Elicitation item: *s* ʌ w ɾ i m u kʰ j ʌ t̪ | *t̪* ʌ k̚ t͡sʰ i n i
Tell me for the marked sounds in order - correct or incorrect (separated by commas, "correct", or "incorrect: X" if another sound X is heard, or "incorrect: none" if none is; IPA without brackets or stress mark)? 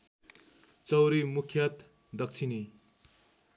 incorrect: t͡s, incorrect: d̪